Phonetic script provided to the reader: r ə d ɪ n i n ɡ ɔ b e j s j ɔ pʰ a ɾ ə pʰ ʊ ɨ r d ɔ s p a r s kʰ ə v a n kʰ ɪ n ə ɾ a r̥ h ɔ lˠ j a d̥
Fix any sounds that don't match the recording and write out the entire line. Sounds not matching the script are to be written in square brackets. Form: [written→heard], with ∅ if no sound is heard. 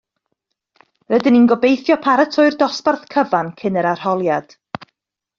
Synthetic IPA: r ə d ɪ n i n ɡ ɔ b e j [s→θ] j ɔ pʰ a ɾ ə [pʰ→tʰ] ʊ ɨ r d ɔ s p a r [s→θ] kʰ ə v a n kʰ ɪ n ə ɾ a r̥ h ɔ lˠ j a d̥